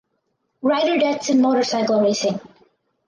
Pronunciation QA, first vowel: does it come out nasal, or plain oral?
oral